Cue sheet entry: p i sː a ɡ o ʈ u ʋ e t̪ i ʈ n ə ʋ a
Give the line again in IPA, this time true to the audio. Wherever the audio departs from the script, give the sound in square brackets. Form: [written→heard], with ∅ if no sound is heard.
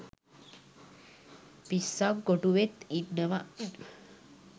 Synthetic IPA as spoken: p i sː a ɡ o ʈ u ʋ e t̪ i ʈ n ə ʋ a